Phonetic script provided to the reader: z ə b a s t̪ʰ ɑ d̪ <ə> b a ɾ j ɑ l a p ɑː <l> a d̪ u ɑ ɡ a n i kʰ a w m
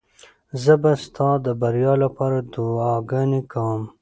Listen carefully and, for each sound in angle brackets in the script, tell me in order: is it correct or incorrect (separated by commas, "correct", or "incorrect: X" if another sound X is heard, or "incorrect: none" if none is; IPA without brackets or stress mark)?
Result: correct, incorrect: ɾ